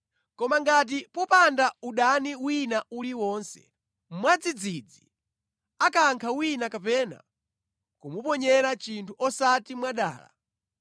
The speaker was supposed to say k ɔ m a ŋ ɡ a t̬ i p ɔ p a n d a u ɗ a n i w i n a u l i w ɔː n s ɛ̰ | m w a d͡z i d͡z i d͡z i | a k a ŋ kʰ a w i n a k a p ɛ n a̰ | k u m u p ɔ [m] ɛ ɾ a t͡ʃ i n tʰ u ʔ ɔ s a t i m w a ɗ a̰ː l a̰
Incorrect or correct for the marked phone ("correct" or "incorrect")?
incorrect